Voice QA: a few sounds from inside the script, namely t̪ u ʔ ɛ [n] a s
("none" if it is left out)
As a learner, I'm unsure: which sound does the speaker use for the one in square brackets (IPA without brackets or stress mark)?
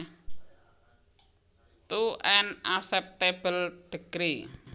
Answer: n